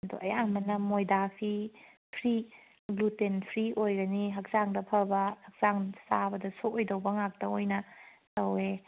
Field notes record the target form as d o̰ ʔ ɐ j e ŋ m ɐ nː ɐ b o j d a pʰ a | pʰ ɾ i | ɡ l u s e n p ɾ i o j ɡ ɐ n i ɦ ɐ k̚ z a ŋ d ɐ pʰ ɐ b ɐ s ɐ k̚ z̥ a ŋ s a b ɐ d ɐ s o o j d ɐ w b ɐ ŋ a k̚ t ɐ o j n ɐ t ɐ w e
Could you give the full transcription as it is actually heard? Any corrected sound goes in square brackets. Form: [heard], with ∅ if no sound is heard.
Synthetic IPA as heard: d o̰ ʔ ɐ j [a] ŋ m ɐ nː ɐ [m] o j d a pʰ [i] | pʰ ɾ i | ɡ l u [t] e n [pʰ] ɾ i o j ɡ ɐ n i ɦ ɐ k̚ z a ŋ d ɐ pʰ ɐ b ɐ [h] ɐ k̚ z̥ a ŋ s a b ɐ d ɐ s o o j d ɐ w b ɐ ŋ a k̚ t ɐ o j n ɐ t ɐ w e